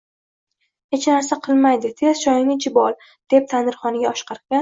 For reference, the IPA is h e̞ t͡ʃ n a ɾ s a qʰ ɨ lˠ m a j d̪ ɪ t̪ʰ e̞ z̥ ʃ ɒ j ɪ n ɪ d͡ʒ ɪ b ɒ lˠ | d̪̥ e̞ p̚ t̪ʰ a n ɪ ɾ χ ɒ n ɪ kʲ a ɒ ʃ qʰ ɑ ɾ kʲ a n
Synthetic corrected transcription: h e̞ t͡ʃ n a ɾ s a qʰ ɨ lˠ m a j d̪ ɪ t̪ʰ e̞ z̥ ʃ ɒ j ɪ n ɪ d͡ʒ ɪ b ɒ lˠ | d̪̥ e̞ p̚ t̪ʰ a n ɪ ɾ χ ɒ n ɪ ɡʲ a ɒ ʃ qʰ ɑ ɾ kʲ a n